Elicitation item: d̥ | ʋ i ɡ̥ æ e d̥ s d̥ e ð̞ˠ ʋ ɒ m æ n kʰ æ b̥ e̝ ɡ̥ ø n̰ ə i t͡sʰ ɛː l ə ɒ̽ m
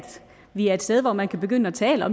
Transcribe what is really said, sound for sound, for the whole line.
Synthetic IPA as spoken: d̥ | ʋ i æ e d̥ s d̥ e ð̞ˠ ʋ ɒ m æ n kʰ æ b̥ e̝ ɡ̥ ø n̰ ə æ t͡sʰ ɛː l ə ɒ̽ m